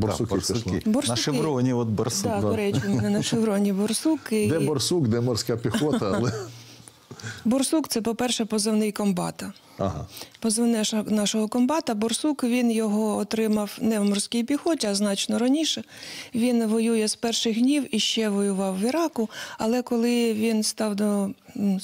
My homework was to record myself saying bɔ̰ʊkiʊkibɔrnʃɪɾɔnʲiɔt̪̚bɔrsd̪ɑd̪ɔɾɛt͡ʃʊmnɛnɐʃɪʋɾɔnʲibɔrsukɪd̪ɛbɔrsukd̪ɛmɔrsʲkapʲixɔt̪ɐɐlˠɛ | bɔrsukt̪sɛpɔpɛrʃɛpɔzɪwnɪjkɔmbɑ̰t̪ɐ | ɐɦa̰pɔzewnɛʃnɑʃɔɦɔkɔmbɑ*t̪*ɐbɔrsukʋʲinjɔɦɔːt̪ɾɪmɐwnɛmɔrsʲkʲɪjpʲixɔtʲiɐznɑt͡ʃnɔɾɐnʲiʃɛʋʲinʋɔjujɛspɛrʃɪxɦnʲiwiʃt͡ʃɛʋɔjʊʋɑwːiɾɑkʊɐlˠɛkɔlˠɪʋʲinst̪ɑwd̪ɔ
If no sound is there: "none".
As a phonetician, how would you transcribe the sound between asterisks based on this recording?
t̪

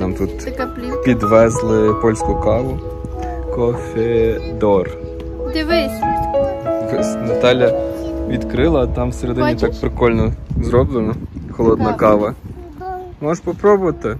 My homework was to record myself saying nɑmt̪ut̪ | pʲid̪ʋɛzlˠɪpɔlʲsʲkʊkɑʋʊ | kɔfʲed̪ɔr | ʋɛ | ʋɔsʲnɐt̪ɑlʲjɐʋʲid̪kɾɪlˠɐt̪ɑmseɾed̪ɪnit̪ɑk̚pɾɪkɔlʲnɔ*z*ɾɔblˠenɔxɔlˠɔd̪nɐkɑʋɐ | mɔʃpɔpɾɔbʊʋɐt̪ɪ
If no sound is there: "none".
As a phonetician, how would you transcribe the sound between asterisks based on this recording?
z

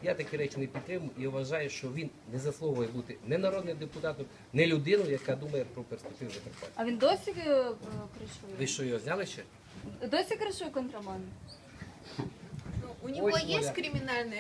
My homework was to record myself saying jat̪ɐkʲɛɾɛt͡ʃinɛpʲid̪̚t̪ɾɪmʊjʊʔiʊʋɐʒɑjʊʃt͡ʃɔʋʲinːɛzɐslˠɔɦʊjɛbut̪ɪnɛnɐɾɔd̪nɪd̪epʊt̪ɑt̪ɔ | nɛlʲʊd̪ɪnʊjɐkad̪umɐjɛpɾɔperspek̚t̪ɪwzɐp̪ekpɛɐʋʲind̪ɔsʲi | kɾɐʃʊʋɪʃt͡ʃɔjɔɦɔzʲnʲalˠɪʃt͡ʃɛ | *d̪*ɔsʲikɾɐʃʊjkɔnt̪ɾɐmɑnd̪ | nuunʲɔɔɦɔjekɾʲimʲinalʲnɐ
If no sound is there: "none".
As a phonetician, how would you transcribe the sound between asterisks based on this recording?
d̪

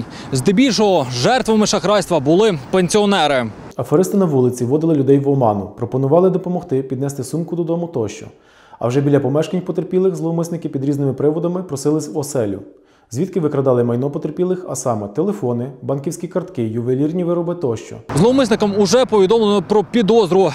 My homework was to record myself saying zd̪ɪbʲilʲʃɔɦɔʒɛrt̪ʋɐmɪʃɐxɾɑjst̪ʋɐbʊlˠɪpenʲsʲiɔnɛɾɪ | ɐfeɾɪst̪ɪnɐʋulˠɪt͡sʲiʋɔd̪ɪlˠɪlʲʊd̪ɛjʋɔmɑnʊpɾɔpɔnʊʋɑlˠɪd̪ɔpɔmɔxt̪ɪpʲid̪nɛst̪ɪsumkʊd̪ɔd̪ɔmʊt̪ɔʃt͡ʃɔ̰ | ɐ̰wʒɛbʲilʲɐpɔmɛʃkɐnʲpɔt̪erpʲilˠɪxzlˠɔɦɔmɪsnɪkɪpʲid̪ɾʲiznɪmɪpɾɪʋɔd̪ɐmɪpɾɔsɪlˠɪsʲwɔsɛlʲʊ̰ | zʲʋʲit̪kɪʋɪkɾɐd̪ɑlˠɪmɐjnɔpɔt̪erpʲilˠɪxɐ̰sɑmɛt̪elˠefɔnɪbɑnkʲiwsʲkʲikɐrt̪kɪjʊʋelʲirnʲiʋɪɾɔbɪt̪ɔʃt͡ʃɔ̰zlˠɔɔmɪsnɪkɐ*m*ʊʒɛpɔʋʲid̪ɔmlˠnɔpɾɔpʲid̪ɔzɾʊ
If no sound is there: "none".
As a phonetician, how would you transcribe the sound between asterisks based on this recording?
m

